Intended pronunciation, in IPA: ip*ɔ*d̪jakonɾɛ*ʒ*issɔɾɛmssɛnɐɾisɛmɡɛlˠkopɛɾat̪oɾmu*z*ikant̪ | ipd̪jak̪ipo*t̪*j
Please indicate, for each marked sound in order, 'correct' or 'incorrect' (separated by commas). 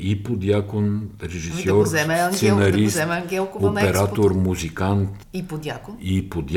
incorrect, correct, correct, incorrect